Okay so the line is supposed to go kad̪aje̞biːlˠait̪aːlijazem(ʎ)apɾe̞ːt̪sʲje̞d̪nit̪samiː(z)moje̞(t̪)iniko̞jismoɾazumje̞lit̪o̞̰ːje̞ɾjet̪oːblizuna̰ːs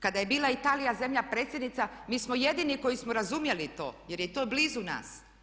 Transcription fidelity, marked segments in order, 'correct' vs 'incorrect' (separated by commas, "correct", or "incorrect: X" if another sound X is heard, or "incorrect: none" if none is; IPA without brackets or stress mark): correct, incorrect: s, incorrect: d̪